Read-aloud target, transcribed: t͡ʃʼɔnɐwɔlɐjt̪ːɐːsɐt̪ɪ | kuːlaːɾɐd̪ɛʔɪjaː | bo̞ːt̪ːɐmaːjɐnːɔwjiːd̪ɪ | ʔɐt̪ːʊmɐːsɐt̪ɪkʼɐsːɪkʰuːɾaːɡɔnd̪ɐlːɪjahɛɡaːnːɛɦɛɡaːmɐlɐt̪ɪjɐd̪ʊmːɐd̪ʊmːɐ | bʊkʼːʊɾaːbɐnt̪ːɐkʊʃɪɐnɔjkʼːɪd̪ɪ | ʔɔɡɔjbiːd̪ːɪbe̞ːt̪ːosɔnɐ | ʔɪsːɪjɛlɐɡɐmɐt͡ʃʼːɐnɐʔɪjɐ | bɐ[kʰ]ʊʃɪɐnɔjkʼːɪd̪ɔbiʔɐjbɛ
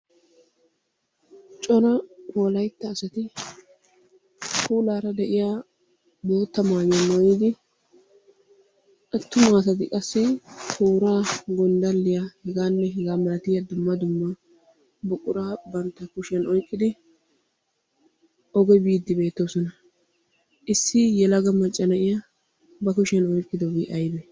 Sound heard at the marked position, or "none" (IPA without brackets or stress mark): k